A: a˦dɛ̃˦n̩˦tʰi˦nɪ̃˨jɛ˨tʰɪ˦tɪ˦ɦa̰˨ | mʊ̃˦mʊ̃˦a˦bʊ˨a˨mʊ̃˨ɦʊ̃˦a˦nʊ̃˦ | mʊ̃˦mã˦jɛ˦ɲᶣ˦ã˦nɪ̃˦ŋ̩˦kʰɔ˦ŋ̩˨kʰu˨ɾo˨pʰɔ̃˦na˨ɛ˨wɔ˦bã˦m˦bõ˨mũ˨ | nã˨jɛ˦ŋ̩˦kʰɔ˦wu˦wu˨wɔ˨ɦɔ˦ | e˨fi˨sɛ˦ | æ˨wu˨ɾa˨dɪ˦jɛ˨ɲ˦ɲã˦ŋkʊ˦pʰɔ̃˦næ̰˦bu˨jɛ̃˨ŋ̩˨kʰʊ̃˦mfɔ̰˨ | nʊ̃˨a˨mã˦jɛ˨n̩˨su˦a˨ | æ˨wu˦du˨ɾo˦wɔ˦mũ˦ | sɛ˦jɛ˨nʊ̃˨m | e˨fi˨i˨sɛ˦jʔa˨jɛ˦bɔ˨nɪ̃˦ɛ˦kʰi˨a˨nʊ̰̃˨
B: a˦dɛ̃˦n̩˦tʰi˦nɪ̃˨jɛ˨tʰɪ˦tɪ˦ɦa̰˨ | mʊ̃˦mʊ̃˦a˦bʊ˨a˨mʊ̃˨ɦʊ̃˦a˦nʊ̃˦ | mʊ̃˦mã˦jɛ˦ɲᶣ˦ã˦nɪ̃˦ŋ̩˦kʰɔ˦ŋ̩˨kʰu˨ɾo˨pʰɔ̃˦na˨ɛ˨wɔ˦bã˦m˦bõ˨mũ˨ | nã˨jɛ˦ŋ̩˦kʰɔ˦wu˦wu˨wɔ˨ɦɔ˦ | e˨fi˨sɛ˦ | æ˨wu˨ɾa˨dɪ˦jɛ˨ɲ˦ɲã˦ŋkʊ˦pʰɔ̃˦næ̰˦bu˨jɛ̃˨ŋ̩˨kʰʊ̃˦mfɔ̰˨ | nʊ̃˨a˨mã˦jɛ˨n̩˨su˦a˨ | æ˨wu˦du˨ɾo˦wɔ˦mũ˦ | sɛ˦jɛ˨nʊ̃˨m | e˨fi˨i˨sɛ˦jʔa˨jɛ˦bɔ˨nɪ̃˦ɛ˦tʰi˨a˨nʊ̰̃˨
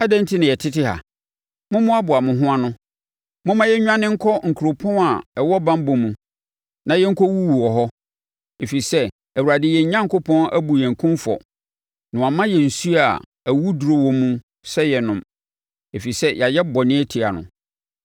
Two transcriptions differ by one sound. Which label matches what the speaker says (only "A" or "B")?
B